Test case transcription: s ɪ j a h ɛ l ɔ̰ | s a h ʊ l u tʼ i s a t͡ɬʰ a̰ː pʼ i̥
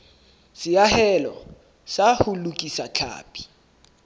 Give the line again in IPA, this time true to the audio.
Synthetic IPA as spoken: s ɪ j a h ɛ l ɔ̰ | s a h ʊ l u kʼ i s a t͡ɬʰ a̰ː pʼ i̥